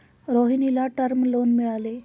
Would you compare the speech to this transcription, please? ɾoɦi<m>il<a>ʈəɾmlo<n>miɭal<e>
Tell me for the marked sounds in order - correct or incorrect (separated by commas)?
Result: incorrect, correct, correct, correct